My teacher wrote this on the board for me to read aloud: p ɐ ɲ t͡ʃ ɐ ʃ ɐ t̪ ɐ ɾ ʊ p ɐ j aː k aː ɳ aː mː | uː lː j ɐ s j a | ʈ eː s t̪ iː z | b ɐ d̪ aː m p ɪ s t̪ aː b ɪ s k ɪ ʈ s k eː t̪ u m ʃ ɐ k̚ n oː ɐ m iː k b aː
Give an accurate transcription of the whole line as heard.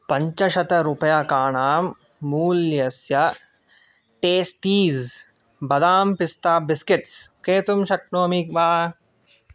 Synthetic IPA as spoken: p ɐ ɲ t͡ʃ ɐ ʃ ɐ t̪ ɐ ɾ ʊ p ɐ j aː k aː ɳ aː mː | uː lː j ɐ s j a | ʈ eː s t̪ iː z | b ɐ d̪ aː m p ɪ s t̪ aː b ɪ s k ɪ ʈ s k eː t̪ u m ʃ ɐ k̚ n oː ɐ m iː k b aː